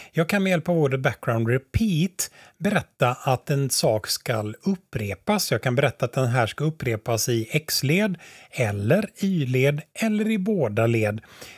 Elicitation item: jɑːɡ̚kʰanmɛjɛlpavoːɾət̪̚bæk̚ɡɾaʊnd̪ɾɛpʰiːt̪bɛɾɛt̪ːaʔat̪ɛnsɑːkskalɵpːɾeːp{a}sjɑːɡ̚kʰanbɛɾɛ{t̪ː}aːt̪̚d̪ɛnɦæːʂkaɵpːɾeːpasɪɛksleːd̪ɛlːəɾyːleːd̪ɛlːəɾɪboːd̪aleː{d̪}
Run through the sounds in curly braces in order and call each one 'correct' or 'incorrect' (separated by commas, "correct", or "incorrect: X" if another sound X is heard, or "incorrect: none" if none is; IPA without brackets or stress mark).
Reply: correct, correct, correct